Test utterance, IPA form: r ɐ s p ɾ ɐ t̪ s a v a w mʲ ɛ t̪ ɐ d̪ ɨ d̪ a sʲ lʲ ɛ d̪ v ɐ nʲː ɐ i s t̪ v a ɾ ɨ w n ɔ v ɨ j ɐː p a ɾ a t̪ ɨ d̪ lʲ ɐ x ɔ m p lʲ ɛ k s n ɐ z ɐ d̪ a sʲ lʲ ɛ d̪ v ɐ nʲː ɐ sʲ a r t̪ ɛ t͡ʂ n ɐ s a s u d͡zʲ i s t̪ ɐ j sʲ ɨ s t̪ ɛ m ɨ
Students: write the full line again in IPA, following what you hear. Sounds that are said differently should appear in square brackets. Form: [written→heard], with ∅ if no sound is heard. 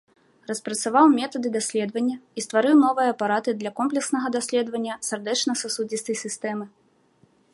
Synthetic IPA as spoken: r ɐ s p ɾ ɐ t̪ s a v a w mʲ ɛ t̪ ɐ d̪ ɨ d̪ a sʲ lʲ ɛ d̪ v ɐ nʲː ɐ i s t̪ v a ɾ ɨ w n ɔ v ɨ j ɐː p a ɾ a t̪ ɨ d̪ lʲ ɐ [x→k] ɔ m p lʲ ɛ k s n ɐ [z→ɣ] ɐ d̪ a sʲ lʲ ɛ d̪ v ɐ nʲː ɐ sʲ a r [t̪→d̪] ɛ t͡ʂ n ɐ s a s u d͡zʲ i s t̪ ɐ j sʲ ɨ s t̪ ɛ m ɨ